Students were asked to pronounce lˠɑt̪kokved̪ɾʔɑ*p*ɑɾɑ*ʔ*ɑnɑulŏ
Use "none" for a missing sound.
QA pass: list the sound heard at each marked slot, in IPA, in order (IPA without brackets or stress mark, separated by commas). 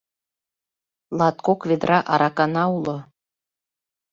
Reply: ʔ, k